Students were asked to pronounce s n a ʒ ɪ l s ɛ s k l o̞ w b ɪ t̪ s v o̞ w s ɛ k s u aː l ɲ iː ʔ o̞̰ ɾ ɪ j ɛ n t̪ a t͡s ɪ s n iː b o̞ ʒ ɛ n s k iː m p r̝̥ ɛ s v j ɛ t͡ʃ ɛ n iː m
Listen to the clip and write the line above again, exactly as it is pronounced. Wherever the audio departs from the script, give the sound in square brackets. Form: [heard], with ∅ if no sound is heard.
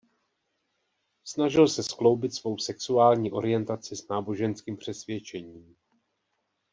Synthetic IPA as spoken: s n a ʒ ɪ l s ɛ s k l o̞ w b ɪ t̪ s v o̞ w s ɛ k s u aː l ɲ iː ʔ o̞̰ ɾ ɪ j ɛ n t̪ a t͡s ɪ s n [aː] b o̞ ʒ ɛ n s k iː m p r̝̥ ɛ s v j ɛ t͡ʃ ɛ [ɲ] iː m

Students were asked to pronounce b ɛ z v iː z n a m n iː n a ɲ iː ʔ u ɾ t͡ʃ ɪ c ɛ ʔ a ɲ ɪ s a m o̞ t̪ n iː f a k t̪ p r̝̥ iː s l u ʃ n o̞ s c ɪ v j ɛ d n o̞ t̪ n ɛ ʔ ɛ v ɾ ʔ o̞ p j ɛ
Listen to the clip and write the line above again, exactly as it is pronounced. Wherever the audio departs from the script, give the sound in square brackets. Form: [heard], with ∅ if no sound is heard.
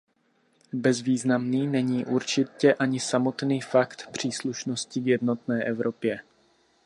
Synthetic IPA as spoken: b ɛ z v iː z n a m n iː n [ɛ] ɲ iː ʔ u ɾ t͡ʃ ɪ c ɛ ʔ a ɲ ɪ s a m o̞ t̪ n iː f a k t̪ p r̝̥ iː s l u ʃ n o̞ s c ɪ v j ɛ d n o̞ t̪ n [ɛː] ʔ ɛ v ɾ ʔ o̞ p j ɛ

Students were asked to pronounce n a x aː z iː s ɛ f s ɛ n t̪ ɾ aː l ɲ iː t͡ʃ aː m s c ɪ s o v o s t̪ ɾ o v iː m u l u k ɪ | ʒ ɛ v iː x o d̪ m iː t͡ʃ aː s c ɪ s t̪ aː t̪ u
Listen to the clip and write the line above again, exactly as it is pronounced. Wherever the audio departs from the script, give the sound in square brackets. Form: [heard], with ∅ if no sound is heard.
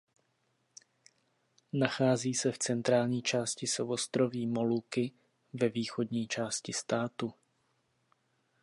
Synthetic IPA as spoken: n a x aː z iː s ɛ f [t͡s] ɛ n t̪ ɾ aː l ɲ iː t͡ʃ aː [∅] s c ɪ s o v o s t̪ ɾ o v iː m [o] l u k ɪ | [v] ɛ v iː x o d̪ [ɲ] iː t͡ʃ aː s c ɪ s t̪ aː t̪ u

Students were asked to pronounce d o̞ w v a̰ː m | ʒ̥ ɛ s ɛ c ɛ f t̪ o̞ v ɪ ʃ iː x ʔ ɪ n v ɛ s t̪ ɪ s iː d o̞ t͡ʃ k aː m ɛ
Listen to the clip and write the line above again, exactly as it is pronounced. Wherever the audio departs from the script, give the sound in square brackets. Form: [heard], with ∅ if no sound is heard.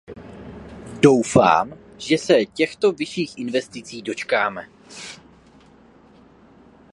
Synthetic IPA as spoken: d o̞ w [f] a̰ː m | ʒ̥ ɛ s ɛ c ɛ [x] t̪ o̞ v ɪ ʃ iː x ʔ ɪ n v ɛ s t̪ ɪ [t͡s] iː d o̞ t͡ʃ k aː m ɛ

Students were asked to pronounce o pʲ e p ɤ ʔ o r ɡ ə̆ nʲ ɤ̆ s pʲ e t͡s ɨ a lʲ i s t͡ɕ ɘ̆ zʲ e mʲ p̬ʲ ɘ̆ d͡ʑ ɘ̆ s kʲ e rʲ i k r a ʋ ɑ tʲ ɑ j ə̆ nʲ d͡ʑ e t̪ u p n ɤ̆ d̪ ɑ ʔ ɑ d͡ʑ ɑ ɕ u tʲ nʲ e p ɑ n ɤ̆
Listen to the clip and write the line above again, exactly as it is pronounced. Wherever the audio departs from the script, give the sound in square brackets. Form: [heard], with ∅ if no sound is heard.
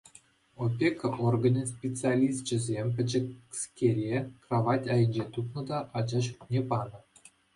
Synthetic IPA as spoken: o pʲ e [k] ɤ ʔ o r ɡ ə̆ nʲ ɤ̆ s pʲ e t͡s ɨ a lʲ i s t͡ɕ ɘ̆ zʲ e mʲ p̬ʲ ɘ̆ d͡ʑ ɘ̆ s kʲ e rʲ [e] k r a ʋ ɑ tʲ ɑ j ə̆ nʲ d͡ʑ e t̪ u p n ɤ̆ d̪ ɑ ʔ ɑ d͡ʑ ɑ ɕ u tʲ nʲ e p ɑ n ɤ̆

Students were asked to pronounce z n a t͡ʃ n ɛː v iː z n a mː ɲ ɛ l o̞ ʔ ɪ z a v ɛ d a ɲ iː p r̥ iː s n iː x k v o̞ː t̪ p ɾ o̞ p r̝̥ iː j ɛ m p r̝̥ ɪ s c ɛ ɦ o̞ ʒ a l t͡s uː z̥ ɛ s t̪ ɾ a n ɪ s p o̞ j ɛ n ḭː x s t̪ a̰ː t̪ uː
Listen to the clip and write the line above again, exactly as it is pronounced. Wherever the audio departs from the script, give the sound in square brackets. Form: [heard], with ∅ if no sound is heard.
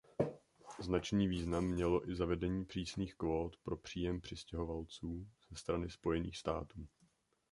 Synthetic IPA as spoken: z n a t͡ʃ n [iː] v iː z n a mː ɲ ɛ l o̞ ʔ ɪ z a v ɛ d [ɛ] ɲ iː p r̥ iː s n iː x k v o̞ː t̪ p ɾ o̞ p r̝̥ iː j ɛ m p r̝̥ ɪ s c ɛ ɦ o̞ [v] a l t͡s uː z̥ ɛ s t̪ ɾ a n ɪ s p o̞ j ɛ n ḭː x s t̪ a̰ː t̪ uː

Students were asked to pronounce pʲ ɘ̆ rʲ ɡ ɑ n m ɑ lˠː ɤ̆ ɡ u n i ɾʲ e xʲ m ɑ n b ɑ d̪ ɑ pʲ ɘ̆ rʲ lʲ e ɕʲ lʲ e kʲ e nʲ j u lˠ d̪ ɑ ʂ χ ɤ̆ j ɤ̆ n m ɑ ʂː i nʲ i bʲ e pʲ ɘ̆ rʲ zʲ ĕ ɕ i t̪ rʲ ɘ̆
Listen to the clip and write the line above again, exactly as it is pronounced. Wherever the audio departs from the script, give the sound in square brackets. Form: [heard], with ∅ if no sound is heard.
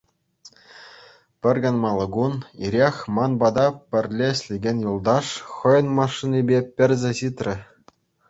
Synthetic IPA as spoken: pʲ ɘ̆ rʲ ɡ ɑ n m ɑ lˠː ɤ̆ ɡ u n i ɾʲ e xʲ m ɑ n b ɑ d̪ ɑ pʲ ɘ̆ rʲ lʲ e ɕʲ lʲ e [ɡʲ] e nʲ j u lˠ d̪ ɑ ʂ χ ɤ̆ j ɤ̆ n m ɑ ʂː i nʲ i bʲ e pʲ ɘ̆ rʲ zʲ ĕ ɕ i t̪ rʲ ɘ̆

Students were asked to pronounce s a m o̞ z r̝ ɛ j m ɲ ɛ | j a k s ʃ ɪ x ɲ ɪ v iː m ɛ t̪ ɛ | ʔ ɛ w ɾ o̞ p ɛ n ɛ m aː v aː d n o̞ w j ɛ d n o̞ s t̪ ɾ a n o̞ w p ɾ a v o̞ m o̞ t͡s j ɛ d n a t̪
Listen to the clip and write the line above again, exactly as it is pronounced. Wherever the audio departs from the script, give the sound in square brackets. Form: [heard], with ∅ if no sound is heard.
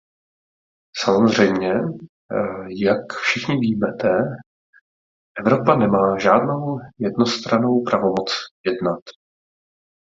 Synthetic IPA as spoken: s a m o̞ z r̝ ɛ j m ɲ ɛ | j a k [f] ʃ ɪ x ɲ ɪ v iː m ɛ t̪ ɛ | ʔ ɛ [v] ɾ o̞ p [a] n ɛ m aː [ʒ] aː d n o̞ w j ɛ d n o̞ s t̪ ɾ a n o̞ w p ɾ a v o̞ m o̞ t͡s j ɛ d n a t̪

